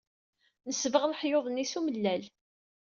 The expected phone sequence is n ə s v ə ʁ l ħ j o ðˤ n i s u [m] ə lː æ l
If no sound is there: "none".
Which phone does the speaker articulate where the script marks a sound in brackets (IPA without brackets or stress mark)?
m